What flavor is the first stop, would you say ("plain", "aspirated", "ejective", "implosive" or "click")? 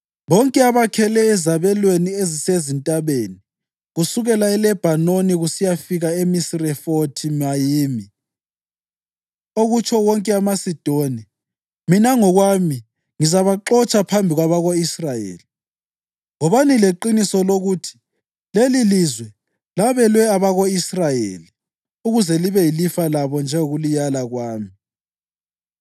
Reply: ejective